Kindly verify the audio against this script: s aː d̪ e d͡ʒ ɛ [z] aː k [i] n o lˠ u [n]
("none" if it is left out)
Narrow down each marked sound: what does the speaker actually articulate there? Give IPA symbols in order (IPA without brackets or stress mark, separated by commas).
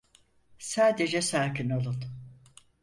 s, i, n